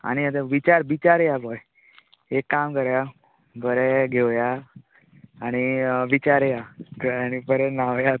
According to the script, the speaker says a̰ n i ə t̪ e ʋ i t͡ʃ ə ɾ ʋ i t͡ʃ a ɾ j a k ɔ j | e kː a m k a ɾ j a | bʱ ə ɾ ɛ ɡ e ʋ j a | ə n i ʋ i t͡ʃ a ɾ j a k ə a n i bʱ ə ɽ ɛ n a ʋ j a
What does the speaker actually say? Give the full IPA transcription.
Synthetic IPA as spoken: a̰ n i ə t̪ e ʋ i t͡ʃ a ɾ ʋ i t͡ʃ a ɾ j a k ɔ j | e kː a m k ə ɾ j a | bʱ ə ɾ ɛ ɡ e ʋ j a | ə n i ʋ i t͡ʃ a ɾ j a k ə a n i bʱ ə ɾ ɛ n a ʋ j a